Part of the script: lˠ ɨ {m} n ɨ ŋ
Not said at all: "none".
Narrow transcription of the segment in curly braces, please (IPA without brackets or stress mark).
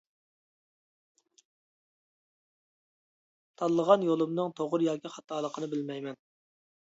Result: m